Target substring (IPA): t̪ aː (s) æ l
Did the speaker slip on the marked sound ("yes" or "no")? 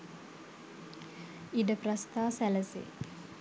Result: no